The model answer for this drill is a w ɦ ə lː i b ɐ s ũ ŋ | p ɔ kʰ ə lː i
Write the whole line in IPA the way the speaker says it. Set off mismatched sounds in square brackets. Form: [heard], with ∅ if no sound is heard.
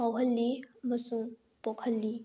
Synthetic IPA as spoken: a w ɦ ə lː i [m] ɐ s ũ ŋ | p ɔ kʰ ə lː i